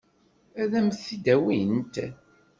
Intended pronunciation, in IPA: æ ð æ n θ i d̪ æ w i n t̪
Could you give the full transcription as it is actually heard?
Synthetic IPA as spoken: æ ð æ m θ i d̪ æ w i n t̪

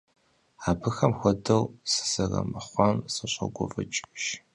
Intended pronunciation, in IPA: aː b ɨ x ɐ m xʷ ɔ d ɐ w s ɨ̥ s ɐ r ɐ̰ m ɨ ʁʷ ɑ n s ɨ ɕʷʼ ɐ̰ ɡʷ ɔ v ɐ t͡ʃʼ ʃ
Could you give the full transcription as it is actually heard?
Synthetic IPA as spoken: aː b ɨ x ɐ m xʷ ɔ d ɐ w s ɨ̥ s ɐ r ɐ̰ m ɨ χʷ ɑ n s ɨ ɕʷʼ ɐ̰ ɡʷ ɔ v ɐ t͡ʃʼ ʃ

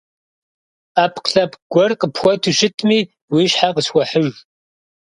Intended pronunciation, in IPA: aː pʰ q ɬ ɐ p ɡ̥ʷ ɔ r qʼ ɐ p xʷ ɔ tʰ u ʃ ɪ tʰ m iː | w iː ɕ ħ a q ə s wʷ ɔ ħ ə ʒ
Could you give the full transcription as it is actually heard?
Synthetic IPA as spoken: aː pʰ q ɬ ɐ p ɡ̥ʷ ɔ r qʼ ə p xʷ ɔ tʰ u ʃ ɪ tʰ m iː | w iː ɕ ħ a q ə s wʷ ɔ ħ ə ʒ

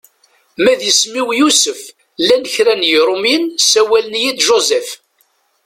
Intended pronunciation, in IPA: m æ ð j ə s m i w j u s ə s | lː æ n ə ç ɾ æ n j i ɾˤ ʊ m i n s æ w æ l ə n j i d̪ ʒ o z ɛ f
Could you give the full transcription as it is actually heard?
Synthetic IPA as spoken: m æ ð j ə s m i w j u s ə f | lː æ n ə ç ɾ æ n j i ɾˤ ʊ m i n s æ w æ l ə n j i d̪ ʒ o z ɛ f

